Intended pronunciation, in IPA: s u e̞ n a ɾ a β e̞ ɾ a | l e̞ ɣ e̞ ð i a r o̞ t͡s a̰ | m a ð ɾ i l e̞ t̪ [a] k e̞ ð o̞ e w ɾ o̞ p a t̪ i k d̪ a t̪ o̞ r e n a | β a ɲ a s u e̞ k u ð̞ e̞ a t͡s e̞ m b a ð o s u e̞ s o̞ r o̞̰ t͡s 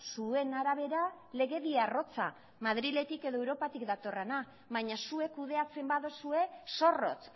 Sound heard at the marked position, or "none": i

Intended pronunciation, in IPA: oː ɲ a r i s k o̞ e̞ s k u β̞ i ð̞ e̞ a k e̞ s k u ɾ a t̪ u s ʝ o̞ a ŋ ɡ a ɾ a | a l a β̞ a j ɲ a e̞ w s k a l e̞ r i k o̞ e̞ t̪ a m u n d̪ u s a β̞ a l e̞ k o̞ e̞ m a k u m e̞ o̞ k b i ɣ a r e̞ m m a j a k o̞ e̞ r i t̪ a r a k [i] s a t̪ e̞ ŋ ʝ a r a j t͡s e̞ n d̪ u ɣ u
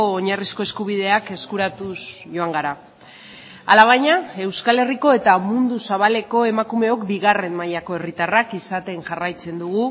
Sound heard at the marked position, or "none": i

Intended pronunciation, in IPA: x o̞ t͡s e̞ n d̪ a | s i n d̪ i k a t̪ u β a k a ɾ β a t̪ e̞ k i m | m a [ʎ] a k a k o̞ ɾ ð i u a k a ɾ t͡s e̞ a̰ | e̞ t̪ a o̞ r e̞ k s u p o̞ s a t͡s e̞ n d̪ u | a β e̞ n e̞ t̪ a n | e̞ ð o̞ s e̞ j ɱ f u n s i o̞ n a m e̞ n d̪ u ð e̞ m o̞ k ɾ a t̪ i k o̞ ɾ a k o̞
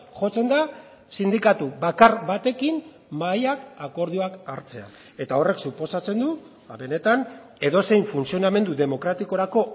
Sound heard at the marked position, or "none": j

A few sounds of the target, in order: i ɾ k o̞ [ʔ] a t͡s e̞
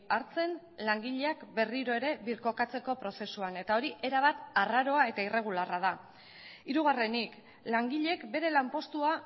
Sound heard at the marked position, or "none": k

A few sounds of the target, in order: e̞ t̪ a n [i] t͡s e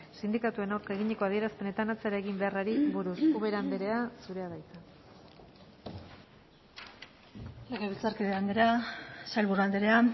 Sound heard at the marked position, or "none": a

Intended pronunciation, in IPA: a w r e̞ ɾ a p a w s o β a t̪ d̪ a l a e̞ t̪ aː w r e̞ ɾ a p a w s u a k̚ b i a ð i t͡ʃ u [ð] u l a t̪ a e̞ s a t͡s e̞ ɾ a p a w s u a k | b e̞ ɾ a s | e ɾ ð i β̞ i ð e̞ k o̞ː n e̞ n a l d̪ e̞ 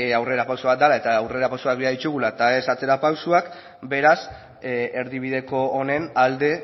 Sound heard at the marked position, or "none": ɣ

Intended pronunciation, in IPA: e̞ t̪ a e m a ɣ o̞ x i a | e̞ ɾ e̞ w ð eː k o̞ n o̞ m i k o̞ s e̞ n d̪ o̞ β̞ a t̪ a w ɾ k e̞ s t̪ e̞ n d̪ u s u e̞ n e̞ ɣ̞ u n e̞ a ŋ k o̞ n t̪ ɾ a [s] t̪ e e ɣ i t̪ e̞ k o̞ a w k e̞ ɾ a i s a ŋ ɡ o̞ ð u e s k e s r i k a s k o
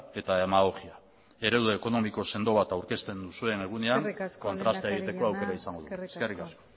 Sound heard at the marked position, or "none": s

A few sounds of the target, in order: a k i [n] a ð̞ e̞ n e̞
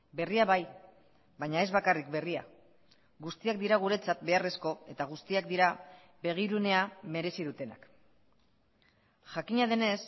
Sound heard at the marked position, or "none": ɲ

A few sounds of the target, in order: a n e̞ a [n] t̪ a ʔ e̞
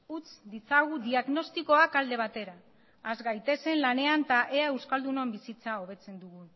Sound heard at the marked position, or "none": n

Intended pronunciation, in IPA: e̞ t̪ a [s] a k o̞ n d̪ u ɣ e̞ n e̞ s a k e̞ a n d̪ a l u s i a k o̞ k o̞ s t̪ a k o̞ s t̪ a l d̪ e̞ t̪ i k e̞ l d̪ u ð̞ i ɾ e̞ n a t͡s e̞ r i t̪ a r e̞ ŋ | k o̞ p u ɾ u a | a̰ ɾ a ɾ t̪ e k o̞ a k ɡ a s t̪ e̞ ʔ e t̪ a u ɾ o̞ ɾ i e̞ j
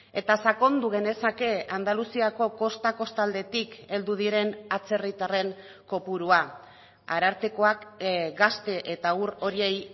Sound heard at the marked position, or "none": s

